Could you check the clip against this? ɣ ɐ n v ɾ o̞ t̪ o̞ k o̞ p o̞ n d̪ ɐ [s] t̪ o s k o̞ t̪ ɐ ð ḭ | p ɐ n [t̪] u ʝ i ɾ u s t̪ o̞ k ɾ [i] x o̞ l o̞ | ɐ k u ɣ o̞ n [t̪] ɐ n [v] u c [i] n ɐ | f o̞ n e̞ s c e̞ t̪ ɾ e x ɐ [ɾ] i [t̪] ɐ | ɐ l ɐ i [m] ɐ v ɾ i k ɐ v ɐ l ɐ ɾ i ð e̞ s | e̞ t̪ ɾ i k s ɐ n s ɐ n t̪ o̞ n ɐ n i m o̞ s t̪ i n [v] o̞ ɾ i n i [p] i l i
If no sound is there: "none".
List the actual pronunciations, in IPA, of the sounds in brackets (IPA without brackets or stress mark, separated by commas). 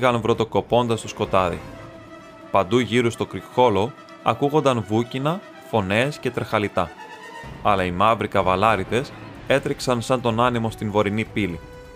s, d̪, i, d̪, v, i, l, t̪, m, v, p